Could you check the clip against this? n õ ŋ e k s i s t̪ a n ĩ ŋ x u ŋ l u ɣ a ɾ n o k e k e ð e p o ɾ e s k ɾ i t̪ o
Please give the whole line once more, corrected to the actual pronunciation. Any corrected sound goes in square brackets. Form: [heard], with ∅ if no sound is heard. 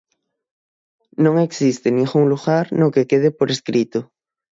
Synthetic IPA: n õ ŋ e k s i s t̪ [e] n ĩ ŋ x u ŋ l u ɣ a ɾ n o k e k e ð e p o ɾ e s k ɾ i t̪ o